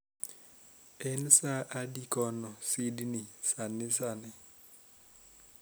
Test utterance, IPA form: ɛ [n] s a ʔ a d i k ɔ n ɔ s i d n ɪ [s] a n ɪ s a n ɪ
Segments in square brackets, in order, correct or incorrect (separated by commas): correct, correct